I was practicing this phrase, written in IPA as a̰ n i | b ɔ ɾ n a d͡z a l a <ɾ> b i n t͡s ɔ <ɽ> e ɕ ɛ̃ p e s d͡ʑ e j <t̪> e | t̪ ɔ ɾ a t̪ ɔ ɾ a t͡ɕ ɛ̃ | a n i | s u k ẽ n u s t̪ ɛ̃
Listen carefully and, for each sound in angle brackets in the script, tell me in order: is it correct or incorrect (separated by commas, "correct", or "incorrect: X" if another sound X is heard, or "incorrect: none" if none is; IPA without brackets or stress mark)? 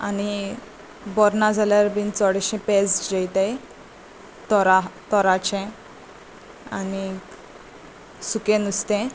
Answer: correct, correct, correct